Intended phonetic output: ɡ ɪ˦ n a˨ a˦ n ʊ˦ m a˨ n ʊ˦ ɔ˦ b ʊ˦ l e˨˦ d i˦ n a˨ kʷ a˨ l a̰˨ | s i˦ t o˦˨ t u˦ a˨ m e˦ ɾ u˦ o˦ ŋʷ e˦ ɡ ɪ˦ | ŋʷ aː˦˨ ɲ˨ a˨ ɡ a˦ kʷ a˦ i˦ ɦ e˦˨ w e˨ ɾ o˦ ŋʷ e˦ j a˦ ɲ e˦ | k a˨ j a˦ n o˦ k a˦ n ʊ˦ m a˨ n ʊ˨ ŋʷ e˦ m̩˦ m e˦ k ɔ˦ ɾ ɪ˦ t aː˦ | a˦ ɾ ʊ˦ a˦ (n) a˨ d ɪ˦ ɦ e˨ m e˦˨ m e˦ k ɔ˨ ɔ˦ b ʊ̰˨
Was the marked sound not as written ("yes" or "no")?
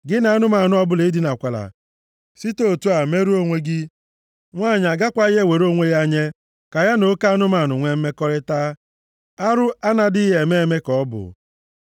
no